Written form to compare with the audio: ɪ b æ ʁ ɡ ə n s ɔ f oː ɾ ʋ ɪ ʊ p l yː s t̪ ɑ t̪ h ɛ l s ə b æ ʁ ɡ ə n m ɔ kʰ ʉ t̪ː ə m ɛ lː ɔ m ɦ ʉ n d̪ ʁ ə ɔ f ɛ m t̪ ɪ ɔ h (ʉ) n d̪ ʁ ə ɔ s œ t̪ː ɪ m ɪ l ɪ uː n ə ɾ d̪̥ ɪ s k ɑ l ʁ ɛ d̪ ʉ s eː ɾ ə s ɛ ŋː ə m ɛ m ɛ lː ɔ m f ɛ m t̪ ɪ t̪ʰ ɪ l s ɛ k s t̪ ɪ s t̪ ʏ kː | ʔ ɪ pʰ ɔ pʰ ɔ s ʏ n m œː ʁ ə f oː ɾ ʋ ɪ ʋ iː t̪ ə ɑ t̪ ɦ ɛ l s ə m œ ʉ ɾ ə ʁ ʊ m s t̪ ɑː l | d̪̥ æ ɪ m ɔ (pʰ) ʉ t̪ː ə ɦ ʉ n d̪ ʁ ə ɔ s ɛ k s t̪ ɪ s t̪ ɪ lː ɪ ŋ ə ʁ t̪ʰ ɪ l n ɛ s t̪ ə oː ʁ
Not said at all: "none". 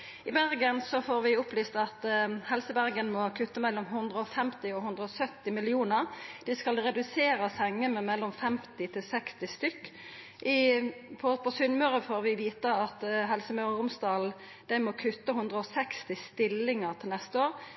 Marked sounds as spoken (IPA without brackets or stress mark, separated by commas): ʉ, kʰ